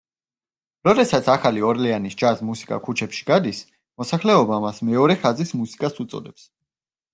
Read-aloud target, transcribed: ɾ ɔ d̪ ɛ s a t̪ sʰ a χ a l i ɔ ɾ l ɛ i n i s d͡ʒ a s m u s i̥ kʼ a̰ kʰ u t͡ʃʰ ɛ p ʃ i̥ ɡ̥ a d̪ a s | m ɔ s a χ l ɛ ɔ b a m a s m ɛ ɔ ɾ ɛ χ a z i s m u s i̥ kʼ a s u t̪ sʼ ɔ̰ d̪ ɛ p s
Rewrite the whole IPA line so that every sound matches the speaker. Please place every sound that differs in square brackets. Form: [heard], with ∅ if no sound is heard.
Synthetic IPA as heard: ɾ ɔ d̪ ɛ s a t̪ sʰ a χ a l i ɔ ɾ l ɛ [a] n i s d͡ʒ a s m u s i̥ kʼ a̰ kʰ u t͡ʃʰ ɛ p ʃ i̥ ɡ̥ a d̪ [i] s | m ɔ s a χ l ɛ ɔ b a m a s m ɛ ɔ ɾ ɛ χ a z i s m u s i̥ kʼ a s u t̪ sʼ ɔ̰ d̪ ɛ p s